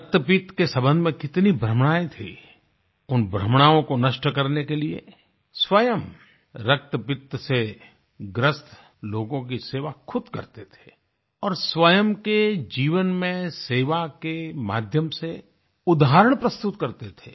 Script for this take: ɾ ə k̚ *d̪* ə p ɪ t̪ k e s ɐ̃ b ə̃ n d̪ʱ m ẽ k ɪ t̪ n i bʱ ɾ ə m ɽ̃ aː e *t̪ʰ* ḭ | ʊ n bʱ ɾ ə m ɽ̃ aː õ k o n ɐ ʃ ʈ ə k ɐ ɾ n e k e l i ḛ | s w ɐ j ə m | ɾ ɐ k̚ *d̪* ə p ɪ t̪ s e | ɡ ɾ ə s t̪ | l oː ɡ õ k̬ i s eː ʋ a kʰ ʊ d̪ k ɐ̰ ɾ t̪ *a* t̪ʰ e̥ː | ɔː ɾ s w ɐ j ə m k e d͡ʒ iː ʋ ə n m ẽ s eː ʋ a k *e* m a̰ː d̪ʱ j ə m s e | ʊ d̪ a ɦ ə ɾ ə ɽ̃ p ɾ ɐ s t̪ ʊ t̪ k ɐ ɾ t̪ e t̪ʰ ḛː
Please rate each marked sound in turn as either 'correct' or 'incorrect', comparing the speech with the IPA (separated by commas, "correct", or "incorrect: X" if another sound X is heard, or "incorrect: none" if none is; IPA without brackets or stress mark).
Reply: incorrect: t̪, correct, incorrect: t̪, incorrect: e, correct